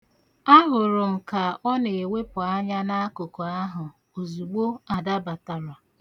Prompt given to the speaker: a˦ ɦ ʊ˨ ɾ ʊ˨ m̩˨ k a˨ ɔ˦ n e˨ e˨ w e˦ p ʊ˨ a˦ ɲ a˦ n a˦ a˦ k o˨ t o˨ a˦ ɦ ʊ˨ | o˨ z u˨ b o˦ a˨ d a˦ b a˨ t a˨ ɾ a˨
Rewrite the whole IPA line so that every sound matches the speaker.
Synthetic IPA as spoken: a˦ ɦ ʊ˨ ɾ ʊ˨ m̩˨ k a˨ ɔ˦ n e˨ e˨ w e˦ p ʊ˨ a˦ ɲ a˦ n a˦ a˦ k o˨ k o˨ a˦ ɦ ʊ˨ | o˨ z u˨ ɡ͡b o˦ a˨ d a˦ b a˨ t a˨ ɾ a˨